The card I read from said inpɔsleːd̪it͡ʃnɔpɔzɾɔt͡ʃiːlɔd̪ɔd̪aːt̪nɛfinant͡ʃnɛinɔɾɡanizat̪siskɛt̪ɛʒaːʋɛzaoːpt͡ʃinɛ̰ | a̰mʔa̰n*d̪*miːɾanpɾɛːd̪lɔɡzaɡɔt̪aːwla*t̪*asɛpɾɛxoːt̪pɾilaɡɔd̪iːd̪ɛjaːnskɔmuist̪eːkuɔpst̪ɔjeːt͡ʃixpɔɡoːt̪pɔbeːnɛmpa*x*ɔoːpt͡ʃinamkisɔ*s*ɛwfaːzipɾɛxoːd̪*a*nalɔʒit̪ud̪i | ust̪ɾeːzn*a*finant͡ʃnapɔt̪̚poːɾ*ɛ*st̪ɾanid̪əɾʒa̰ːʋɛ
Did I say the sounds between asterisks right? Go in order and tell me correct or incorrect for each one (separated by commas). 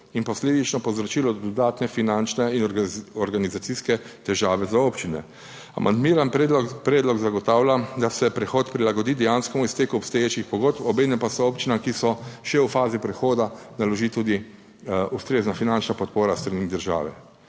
correct, incorrect, incorrect, incorrect, correct, correct, incorrect